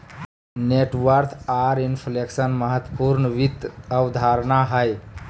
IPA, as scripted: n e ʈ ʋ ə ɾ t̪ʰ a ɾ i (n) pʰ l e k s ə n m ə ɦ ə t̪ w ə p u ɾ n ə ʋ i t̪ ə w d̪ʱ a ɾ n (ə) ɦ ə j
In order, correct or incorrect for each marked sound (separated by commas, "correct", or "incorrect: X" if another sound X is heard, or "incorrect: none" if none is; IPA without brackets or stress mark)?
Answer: correct, incorrect: a